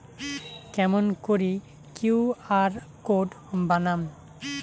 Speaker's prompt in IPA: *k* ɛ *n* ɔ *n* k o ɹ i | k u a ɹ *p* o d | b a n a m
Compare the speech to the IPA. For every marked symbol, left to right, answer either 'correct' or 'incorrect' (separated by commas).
correct, incorrect, correct, incorrect